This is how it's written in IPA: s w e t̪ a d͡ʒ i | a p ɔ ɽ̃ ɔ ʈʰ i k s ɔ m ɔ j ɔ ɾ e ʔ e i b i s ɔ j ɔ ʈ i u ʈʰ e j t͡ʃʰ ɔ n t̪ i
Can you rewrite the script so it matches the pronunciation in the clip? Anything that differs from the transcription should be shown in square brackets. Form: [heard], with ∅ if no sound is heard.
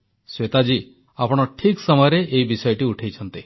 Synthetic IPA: s w e t̪ a d͡ʒ i | a p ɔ ɽ̃ ɔ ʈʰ i k s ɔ m ɔ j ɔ ɾ e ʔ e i b i s ɔ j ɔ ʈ i u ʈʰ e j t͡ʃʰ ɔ n t̪ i